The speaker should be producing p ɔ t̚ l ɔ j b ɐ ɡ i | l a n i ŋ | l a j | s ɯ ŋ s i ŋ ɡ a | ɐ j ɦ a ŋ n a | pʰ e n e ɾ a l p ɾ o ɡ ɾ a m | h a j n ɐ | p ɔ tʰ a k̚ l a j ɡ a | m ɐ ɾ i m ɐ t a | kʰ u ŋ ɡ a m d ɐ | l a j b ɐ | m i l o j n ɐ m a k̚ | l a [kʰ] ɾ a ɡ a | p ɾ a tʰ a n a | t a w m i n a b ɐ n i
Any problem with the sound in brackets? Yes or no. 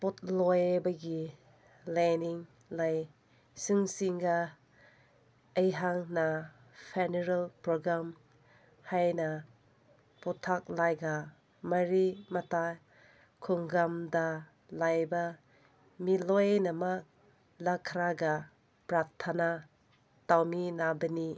no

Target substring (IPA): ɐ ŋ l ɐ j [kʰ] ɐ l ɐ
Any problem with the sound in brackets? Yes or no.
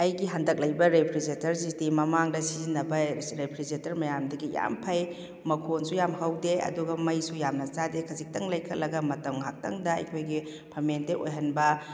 no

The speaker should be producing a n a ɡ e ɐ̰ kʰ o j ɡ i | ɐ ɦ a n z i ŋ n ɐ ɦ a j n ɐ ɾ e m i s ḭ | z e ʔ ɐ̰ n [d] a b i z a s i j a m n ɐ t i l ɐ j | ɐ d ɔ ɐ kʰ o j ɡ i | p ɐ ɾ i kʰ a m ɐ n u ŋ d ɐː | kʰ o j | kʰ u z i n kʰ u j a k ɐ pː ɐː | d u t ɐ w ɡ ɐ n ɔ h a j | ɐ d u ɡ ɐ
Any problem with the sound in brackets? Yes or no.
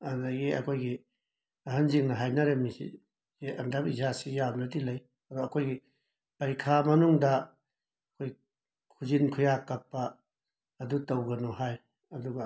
no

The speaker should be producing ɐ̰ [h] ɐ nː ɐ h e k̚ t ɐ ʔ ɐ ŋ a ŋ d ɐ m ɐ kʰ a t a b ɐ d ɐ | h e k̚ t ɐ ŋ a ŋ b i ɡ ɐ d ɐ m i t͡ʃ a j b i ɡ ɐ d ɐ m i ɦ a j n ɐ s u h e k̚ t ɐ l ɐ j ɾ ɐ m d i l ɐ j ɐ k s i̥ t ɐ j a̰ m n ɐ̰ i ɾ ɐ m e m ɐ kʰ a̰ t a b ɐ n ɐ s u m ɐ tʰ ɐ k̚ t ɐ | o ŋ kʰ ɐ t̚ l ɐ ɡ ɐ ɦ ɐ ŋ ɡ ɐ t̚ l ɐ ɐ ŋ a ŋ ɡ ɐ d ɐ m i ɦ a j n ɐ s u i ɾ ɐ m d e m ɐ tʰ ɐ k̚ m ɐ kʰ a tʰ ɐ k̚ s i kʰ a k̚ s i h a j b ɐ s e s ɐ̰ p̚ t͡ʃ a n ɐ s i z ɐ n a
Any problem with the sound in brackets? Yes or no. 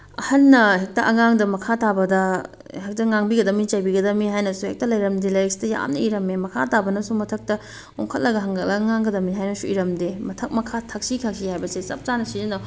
no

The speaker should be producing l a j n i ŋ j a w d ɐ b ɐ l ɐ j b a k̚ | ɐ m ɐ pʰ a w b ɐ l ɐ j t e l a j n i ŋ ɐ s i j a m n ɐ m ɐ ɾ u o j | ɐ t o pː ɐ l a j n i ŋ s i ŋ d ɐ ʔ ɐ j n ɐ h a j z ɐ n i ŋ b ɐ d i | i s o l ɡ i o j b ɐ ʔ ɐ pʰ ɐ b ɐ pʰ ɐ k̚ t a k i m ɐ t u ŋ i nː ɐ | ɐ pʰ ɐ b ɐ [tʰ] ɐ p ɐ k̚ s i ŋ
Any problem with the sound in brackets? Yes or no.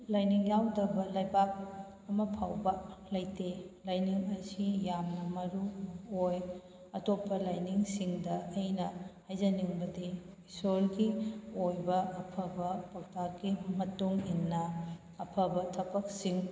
no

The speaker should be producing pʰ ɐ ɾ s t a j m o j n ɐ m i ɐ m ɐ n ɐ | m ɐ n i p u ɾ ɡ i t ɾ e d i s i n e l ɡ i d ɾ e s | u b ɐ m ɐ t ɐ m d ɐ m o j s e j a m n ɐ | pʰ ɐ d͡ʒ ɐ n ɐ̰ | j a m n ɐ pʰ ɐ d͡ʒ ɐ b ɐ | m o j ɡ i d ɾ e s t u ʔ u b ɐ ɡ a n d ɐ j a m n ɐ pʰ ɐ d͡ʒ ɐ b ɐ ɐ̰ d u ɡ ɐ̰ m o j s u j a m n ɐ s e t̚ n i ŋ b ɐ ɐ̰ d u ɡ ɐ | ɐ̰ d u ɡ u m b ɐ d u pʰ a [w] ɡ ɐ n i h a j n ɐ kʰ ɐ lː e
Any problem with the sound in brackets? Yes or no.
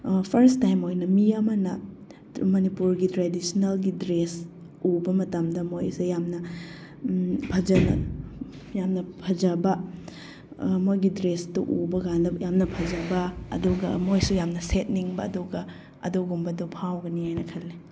no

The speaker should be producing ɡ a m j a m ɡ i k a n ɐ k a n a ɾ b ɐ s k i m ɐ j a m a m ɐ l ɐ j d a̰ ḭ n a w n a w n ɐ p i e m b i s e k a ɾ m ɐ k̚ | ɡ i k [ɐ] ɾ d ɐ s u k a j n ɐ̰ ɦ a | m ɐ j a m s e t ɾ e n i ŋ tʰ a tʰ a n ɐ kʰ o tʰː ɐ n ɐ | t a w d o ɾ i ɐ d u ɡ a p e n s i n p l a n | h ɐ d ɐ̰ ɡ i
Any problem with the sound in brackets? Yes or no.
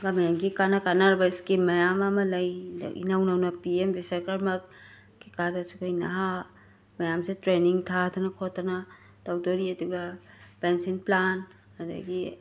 yes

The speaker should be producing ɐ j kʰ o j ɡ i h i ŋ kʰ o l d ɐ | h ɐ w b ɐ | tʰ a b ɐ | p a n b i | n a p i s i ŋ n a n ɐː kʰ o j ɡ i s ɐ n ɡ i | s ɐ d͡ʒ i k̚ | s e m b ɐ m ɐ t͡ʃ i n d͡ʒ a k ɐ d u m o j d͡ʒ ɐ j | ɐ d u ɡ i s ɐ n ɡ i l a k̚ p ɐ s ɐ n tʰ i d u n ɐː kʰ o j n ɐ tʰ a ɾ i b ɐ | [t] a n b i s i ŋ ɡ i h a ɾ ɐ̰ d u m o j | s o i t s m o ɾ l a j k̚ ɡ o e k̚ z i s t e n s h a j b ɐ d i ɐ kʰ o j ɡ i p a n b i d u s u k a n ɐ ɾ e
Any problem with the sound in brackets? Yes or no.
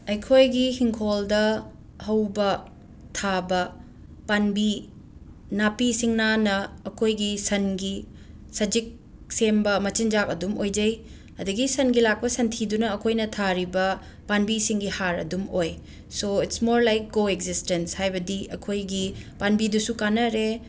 yes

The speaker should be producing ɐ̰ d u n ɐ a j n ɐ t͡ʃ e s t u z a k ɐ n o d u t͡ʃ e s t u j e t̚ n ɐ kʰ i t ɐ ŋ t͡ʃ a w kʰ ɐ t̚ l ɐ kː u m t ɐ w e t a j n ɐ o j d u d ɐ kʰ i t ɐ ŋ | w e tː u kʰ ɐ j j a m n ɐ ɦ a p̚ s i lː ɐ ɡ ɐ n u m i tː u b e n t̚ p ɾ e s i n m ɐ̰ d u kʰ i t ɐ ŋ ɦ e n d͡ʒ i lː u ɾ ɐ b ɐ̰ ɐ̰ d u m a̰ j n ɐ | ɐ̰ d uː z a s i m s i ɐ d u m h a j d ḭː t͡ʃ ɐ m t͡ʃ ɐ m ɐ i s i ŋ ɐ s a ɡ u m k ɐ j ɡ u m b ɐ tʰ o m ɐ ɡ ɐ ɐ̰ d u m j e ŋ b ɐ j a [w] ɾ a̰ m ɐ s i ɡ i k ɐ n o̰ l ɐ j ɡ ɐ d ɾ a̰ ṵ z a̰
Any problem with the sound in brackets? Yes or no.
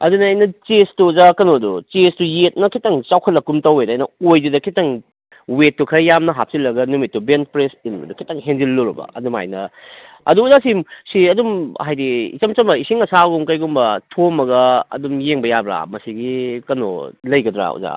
yes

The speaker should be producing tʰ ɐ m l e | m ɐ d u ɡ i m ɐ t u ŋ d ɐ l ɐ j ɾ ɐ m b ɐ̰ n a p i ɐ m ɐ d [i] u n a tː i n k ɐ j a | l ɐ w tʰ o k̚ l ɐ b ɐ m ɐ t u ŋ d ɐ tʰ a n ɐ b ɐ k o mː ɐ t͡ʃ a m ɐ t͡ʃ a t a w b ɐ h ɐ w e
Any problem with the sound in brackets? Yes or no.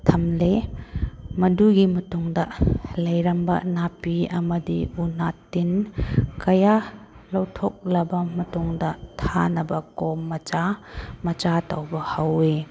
no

